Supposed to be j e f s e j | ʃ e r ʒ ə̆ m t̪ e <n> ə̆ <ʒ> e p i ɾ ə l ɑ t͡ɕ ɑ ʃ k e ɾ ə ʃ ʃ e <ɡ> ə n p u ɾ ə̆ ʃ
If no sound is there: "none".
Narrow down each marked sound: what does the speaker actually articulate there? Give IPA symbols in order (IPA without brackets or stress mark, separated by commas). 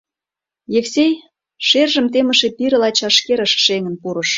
m, ʃ, ŋ